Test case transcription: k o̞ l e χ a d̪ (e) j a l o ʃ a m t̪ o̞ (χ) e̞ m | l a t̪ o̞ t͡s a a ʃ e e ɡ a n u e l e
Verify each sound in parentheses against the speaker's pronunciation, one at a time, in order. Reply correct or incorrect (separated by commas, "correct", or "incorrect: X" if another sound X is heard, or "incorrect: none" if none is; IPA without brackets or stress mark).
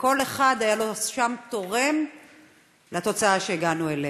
incorrect: a, incorrect: ʁ